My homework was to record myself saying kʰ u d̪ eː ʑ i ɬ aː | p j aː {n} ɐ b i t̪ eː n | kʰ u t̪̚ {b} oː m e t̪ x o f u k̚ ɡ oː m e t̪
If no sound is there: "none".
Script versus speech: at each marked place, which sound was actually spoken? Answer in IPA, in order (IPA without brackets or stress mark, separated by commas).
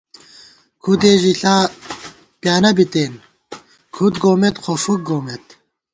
n, ɡ